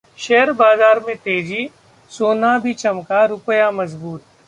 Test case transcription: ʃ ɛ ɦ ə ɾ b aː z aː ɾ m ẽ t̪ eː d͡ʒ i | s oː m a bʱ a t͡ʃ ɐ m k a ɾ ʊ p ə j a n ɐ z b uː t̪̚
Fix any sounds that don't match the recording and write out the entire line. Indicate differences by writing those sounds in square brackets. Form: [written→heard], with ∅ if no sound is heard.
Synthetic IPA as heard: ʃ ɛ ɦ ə ɾ b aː z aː ɾ m ẽ t̪ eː d͡ʒ i | s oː [m→n] a bʱ [a→i] t͡ʃ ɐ m k a ɾ ʊ p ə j a [n→m] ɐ z b uː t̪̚

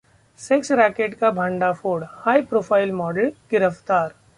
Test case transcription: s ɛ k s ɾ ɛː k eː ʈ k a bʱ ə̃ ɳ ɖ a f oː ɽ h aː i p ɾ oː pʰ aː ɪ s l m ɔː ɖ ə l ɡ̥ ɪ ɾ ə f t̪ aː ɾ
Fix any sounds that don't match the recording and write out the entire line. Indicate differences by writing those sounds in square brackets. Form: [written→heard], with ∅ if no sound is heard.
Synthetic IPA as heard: s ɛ k s ɾ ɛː k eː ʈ k a bʱ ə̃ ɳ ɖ a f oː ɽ h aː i p ɾ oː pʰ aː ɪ [s→∅] l m ɔː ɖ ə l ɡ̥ ɪ ɾ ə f t̪ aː ɾ

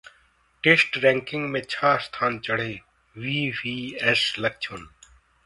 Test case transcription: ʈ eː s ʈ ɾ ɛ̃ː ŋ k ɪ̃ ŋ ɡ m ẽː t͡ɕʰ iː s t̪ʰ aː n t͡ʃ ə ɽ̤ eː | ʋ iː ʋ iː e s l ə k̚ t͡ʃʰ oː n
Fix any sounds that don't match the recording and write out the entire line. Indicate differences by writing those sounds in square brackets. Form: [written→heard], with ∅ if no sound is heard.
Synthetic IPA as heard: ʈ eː s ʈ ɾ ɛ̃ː ŋ k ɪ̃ ŋ ɡ m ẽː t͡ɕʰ [iː→aː] s t̪ʰ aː n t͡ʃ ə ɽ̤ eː | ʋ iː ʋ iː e s l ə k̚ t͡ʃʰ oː n

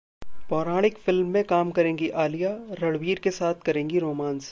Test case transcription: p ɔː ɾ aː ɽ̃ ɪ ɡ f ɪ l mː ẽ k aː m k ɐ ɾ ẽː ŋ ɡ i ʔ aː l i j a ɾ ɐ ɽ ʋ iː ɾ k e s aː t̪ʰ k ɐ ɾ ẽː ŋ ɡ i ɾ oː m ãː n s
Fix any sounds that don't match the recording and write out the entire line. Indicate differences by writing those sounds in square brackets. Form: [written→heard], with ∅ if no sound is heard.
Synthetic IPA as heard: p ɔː ɾ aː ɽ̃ ɪ [ɡ→k] f ɪ l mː ẽ k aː m k ɐ ɾ ẽː ŋ ɡ i ʔ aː l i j a ɾ ɐ ɽ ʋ iː ɾ k e s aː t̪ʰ k ɐ ɾ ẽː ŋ ɡ i ɾ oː m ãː n s

